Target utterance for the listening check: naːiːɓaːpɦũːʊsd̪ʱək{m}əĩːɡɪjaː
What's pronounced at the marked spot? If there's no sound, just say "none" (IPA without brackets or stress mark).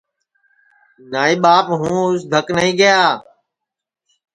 n